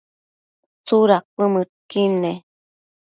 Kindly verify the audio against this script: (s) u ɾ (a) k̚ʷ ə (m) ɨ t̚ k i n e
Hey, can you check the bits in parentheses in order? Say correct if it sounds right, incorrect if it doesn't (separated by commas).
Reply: incorrect, correct, correct